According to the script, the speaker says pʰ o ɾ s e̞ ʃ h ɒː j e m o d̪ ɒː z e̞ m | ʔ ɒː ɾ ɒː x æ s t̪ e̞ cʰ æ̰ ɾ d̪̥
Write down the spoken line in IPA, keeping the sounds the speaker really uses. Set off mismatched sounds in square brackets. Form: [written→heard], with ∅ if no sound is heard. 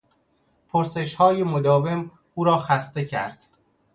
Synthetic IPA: pʰ o ɾ s e̞ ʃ h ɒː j e m o d̪ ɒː [z→v] e̞ m | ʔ [ɒː→uː] ɾ ɒː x æ s t̪ e̞ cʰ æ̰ ɾ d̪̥